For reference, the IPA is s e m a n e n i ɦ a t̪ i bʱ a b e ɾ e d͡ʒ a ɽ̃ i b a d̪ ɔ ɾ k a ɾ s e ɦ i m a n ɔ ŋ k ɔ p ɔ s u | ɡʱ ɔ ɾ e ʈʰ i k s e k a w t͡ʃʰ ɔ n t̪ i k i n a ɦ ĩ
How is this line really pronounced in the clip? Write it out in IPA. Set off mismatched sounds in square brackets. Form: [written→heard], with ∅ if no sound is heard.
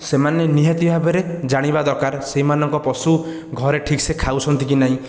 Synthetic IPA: s e m a n e n i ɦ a t̪ i bʱ a b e ɾ e d͡ʒ a ɽ̃ i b a d̪ ɔ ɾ k a ɾ s e ɦ i m a n ɔ ŋ k ɔ p ɔ s u | ɡʱ ɔ ɾ e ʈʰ i k s e [k→kʰ] a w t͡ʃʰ ɔ n t̪ i k i n a ɦ ĩ